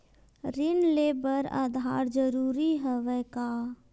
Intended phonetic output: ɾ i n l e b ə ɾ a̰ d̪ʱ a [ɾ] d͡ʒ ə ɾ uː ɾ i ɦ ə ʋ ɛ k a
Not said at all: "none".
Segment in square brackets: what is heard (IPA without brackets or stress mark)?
ɾ